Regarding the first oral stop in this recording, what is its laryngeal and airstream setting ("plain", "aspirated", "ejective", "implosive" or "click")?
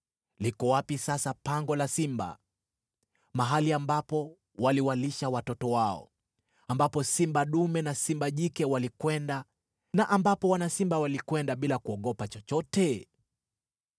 plain